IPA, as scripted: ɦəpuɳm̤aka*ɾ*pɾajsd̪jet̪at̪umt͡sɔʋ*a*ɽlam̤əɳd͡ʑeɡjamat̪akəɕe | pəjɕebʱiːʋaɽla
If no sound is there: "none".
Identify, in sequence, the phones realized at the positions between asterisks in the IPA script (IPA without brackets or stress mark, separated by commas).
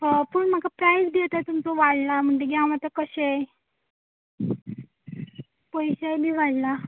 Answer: none, a